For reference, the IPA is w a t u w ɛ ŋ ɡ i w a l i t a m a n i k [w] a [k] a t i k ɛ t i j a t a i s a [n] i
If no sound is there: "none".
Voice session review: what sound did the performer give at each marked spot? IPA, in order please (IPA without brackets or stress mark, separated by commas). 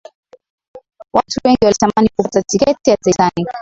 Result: u, t, n